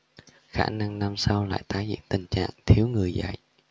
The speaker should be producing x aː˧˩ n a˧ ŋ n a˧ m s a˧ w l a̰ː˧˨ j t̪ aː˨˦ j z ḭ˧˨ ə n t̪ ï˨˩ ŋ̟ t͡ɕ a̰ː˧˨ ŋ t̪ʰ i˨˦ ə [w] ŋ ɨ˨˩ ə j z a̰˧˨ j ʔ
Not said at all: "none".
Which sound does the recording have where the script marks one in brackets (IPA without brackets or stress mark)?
w